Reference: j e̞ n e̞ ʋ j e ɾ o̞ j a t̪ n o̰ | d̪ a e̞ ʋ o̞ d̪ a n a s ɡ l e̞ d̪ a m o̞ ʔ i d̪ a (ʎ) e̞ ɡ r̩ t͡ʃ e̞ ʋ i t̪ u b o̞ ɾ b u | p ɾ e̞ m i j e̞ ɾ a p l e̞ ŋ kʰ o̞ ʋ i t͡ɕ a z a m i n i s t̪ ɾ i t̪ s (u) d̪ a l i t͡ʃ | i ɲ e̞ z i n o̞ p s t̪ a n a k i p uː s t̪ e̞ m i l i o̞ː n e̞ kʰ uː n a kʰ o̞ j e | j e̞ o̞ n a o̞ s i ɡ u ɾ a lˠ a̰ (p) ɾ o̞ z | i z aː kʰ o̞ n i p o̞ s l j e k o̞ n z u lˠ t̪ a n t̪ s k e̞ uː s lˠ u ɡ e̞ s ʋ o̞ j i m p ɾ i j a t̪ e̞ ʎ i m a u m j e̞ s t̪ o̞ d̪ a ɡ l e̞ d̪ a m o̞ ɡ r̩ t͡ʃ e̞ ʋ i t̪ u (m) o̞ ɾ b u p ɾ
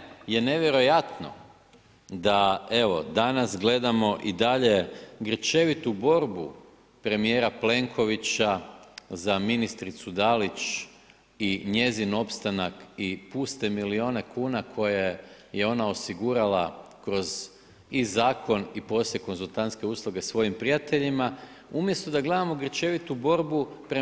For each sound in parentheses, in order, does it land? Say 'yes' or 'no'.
yes, yes, no, no

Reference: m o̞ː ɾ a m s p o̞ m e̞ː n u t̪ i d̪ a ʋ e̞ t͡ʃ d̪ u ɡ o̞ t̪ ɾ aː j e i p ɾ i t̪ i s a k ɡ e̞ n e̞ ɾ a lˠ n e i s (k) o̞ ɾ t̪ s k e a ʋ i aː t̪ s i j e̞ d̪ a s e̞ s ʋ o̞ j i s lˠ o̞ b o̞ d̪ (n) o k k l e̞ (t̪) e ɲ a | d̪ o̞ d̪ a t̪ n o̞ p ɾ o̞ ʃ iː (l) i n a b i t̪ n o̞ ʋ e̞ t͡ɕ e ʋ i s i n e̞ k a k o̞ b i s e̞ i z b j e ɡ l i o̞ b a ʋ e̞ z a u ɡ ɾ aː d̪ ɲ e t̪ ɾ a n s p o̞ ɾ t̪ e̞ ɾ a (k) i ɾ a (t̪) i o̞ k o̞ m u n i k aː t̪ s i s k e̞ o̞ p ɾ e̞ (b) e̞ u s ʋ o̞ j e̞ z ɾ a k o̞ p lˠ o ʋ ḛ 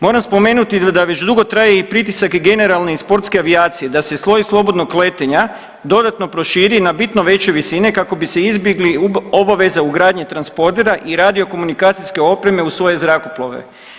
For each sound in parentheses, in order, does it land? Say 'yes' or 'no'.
no, yes, yes, no, no, no, no

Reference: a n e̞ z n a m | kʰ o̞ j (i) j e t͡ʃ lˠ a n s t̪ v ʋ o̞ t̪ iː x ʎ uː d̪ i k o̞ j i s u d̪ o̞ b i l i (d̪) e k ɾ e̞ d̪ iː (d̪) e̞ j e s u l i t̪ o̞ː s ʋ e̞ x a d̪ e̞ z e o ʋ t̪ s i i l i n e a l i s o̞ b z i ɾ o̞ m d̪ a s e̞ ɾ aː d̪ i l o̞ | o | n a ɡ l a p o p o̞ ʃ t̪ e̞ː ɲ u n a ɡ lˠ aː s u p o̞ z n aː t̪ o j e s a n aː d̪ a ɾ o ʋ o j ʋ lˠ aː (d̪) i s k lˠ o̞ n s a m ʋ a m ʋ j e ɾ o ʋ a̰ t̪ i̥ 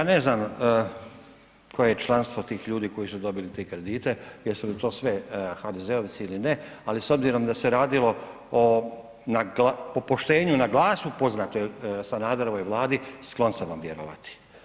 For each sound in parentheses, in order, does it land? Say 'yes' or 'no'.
no, no, no, yes

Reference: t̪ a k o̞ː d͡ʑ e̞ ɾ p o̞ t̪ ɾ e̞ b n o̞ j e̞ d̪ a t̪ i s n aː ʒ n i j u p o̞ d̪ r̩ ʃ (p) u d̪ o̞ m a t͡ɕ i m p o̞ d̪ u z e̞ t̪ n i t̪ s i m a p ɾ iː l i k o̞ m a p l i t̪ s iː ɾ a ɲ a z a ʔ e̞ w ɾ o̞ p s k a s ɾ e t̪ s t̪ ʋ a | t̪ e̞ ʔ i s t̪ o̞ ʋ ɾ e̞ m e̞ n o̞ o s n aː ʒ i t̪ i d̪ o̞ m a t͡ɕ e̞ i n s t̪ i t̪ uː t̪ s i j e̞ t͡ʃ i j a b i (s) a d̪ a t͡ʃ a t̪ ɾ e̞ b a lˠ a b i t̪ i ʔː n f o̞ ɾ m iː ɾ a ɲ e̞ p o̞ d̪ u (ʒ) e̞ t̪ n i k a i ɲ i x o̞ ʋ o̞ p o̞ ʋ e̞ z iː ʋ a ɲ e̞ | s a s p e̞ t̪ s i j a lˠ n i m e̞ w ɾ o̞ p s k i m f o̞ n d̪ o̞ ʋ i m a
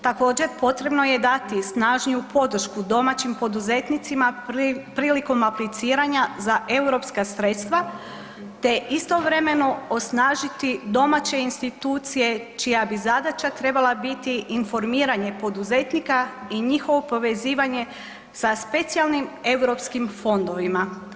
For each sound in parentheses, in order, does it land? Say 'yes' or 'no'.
no, no, no

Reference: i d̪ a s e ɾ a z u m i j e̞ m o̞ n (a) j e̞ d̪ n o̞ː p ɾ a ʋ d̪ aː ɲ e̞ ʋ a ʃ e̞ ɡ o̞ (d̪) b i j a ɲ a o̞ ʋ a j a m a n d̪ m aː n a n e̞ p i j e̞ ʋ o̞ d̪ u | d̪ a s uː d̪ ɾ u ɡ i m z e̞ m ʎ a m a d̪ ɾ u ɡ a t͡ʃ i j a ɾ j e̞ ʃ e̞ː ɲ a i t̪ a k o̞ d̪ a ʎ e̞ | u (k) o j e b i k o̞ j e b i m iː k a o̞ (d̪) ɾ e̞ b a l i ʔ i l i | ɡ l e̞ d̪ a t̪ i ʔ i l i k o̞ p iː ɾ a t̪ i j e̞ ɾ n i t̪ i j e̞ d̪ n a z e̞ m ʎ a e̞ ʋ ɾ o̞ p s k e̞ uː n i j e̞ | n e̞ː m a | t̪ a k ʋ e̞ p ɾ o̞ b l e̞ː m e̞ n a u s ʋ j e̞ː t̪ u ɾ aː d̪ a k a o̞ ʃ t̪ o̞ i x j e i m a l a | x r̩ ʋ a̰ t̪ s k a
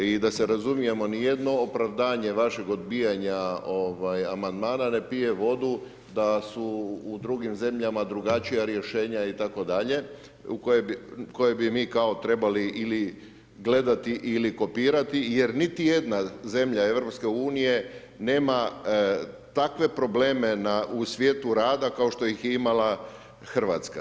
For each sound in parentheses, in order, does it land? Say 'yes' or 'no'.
no, yes, yes, no

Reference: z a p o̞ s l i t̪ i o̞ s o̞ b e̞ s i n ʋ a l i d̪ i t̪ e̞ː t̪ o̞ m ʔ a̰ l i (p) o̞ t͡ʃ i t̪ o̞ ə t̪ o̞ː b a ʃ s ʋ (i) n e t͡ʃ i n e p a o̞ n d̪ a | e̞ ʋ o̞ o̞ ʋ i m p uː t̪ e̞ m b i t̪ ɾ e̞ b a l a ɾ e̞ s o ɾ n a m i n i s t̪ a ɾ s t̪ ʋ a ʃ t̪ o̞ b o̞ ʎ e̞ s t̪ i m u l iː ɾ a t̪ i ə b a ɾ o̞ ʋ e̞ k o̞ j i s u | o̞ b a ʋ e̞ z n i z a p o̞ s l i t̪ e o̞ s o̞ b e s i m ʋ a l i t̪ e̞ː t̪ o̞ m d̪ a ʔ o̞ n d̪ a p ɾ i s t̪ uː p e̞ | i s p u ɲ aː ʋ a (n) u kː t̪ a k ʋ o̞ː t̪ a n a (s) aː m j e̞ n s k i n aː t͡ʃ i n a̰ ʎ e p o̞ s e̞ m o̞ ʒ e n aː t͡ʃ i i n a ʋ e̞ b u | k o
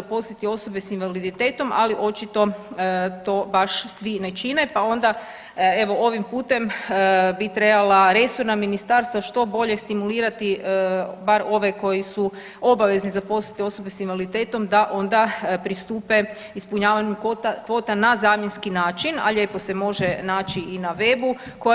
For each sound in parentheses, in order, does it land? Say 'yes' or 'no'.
no, yes, no, no

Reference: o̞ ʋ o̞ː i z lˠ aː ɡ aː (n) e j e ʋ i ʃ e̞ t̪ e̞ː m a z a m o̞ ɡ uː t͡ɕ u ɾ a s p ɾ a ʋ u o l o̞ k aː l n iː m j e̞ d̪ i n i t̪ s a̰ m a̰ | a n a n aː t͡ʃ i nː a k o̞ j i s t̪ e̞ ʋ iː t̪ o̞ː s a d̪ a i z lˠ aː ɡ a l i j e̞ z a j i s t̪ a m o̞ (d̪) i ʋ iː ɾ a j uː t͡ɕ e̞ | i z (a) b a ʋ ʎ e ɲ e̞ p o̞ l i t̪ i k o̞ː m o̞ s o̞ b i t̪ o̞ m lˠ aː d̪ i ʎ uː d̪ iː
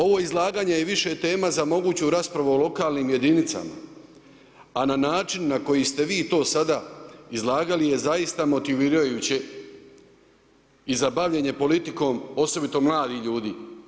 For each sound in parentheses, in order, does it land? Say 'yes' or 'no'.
no, no, yes

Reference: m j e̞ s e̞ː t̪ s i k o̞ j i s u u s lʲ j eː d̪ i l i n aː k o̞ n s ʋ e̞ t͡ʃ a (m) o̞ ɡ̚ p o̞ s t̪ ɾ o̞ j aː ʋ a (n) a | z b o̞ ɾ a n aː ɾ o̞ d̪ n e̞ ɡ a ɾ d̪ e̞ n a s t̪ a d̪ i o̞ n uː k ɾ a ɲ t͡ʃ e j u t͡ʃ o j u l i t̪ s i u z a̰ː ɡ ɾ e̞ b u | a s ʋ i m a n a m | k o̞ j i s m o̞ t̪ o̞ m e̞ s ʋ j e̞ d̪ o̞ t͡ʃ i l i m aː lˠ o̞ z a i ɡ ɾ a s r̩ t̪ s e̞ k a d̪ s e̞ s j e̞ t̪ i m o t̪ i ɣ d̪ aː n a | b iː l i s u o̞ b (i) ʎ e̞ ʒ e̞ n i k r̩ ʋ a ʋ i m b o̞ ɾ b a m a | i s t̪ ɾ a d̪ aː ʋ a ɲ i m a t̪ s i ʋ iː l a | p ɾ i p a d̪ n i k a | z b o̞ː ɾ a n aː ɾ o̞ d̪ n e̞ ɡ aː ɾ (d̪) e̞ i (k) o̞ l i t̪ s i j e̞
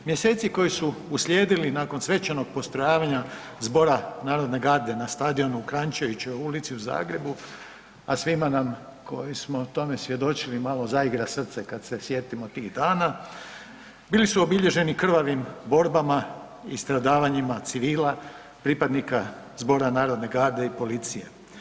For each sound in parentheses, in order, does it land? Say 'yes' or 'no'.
no, no, yes, yes, no

